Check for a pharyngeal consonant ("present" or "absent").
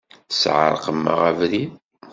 present